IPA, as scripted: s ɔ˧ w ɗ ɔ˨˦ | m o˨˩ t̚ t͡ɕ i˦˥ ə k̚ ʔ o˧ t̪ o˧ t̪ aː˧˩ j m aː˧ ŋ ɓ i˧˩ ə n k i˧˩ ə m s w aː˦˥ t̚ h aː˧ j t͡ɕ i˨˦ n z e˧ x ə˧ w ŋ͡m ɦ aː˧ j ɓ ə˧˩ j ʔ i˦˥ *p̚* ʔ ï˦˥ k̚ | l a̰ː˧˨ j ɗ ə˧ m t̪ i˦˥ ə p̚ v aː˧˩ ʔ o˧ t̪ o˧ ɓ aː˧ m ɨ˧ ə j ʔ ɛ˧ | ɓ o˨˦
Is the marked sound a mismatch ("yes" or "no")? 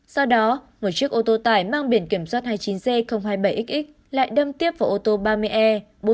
yes